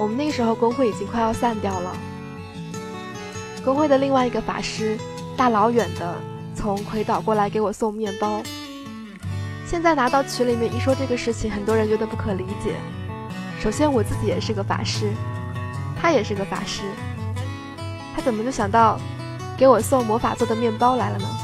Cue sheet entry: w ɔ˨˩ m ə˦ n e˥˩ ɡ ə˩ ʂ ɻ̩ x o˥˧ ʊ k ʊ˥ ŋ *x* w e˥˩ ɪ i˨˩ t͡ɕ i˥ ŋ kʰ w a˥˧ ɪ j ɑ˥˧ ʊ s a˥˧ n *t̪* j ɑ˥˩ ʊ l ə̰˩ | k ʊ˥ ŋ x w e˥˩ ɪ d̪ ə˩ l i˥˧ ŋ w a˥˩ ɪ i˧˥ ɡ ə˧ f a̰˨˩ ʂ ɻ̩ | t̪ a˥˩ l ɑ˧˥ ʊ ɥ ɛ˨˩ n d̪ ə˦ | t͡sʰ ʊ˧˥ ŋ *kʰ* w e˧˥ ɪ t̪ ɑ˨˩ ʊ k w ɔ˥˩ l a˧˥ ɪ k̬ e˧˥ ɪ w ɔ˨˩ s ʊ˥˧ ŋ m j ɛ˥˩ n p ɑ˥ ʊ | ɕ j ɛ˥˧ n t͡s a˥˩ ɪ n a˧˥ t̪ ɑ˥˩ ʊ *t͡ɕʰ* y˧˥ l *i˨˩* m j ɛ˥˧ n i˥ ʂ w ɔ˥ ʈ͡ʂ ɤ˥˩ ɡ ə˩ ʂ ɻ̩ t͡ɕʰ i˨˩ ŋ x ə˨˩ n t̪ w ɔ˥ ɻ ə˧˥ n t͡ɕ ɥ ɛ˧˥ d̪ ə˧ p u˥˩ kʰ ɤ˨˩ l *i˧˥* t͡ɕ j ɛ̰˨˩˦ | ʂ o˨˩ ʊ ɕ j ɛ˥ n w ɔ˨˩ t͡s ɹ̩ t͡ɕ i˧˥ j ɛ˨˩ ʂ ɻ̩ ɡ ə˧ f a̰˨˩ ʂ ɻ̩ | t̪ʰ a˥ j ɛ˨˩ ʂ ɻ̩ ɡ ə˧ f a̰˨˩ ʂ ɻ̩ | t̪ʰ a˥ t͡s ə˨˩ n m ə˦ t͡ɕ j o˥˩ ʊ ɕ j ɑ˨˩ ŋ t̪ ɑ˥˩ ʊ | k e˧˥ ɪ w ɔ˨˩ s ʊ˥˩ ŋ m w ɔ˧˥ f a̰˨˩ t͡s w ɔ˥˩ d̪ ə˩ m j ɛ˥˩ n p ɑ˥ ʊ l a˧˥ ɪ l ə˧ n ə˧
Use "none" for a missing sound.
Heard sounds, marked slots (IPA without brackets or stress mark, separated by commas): x, t̪, kʰ, t͡ɕʰ, i˨˩, i˧˥